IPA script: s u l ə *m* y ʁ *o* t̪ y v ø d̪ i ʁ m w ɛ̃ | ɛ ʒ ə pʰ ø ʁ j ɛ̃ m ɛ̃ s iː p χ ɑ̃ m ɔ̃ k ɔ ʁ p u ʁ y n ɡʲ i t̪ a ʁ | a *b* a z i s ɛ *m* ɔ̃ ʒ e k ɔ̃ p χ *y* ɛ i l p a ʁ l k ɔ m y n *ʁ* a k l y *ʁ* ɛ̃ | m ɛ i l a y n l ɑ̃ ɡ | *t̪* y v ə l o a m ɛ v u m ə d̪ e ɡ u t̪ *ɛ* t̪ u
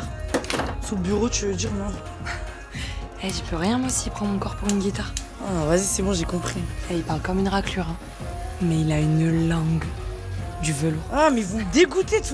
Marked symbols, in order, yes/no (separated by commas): no, yes, no, no, no, yes, yes, no, no